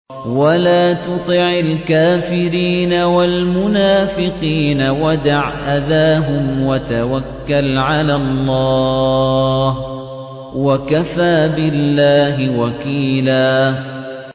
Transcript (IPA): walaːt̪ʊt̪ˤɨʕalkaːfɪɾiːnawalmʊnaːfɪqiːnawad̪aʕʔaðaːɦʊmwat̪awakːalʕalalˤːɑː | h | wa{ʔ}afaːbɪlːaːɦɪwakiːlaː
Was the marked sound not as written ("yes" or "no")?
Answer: yes